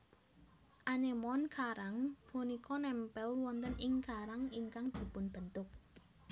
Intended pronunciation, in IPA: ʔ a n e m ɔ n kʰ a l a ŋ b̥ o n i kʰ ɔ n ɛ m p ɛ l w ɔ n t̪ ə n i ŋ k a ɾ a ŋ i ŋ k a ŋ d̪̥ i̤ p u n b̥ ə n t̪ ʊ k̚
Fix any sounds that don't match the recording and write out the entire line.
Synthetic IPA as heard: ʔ a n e m ɔ n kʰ a ɾ a ŋ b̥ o n i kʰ ɔ n ɛ m p ɛ l w ɔ n t̪ ə n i ŋ k a ɾ a ŋ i ŋ k a ŋ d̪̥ i̤ p ʊ n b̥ ə n t̪ ʊ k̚